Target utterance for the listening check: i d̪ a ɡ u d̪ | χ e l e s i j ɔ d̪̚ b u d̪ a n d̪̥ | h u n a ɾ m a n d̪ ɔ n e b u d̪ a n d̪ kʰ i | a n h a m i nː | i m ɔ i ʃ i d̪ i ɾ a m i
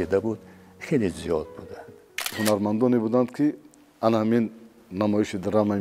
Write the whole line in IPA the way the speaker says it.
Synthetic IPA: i d̪ a b u d̪ | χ e l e z i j ɔ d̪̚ b u d̪ a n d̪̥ | h u n a ɾ m a n d̪ ɔ n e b u d̪ a n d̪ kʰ i | a n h a m i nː | a m ɔ i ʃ i d̪ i ɾ a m a